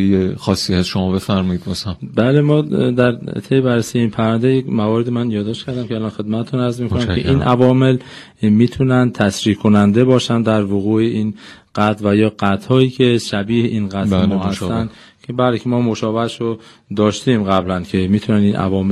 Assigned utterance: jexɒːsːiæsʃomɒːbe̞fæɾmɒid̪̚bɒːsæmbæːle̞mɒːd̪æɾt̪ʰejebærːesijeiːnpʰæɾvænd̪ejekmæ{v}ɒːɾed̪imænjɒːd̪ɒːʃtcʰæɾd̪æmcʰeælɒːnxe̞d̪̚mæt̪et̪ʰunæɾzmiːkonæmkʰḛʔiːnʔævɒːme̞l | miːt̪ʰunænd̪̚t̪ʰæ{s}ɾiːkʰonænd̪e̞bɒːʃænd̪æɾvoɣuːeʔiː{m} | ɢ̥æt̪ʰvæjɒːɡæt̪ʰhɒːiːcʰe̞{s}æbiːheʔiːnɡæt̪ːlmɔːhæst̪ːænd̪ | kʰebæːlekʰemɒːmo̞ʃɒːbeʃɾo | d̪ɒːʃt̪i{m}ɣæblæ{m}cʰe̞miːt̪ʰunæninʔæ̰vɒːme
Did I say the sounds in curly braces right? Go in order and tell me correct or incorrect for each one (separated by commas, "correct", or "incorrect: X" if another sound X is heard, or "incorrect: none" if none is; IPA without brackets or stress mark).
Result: correct, correct, incorrect: n, incorrect: ʃ, correct, incorrect: n